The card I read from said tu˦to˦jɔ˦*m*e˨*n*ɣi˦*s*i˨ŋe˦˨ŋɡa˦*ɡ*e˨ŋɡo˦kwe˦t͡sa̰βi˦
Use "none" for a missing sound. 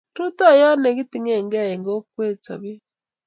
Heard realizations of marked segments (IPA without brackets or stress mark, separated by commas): n, none, t, none